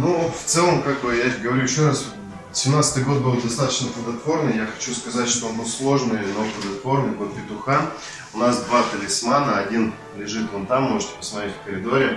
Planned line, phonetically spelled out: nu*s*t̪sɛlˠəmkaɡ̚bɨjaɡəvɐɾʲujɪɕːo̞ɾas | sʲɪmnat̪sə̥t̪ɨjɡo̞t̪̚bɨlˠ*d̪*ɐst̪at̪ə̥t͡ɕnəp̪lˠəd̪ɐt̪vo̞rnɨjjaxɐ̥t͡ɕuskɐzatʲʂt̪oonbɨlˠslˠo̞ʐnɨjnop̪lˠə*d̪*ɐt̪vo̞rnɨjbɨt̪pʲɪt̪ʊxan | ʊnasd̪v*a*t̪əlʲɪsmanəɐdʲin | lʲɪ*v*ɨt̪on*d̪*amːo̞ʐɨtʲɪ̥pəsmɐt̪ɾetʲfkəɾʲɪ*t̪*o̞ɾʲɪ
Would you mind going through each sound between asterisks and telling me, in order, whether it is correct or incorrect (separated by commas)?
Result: incorrect, correct, correct, correct, incorrect, incorrect, incorrect